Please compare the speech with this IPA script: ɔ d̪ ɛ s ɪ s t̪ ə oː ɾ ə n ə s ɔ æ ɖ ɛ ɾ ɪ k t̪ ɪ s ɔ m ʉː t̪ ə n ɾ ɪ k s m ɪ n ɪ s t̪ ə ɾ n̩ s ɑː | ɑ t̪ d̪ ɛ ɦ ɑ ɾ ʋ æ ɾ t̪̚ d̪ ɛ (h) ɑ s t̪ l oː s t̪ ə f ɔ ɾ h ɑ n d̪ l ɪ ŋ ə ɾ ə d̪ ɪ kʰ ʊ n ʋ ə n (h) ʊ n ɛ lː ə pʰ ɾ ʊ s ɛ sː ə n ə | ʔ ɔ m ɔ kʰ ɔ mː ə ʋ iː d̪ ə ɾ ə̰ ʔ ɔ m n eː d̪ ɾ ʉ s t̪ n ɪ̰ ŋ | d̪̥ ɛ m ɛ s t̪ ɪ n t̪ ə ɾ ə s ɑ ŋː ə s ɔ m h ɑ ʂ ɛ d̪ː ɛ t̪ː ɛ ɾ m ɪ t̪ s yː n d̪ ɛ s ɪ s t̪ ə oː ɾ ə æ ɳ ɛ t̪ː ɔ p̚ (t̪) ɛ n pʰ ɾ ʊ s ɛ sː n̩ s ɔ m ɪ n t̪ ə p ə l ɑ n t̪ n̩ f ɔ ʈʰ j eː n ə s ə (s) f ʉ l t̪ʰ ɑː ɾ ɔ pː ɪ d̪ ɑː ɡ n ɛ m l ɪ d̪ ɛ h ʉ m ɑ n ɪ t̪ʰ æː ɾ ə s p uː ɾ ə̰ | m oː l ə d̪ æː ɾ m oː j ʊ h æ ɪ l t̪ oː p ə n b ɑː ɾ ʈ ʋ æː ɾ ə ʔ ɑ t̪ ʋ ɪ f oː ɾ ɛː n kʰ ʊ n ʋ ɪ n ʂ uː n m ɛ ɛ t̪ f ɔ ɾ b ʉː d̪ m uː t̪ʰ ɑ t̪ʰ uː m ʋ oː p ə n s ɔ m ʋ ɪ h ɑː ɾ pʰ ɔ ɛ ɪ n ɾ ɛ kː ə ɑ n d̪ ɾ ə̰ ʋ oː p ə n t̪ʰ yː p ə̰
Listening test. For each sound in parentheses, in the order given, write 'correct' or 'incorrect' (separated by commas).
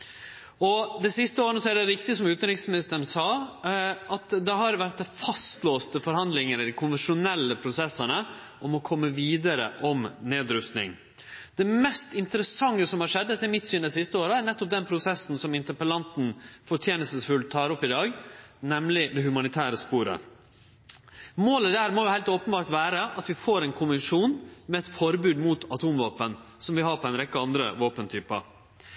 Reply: incorrect, incorrect, incorrect, correct